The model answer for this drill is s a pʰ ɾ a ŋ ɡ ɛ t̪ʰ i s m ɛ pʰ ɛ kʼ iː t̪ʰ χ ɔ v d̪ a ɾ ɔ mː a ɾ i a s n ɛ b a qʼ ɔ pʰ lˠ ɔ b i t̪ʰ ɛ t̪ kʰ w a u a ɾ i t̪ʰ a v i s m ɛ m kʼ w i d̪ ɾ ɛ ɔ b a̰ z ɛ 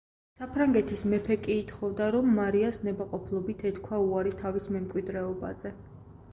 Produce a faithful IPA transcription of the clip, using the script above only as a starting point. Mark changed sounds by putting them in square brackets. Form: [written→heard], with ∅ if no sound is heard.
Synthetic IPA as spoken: s a pʰ ɾ a ŋ ɡ ɛ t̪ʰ i s m ɛ pʰ ɛ kʼ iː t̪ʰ χ ɔ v d̪ a ɾ ɔ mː a ɾ i a s n ɛ b a qʼ ɔ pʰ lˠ ɔ b i t̪ʰ ɛ t̪ kʰ w a u a ɾ i t̪ʰ a v i s m ɛ m kʼ w i d̪ ɾ ɛ ɔ b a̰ z ɛ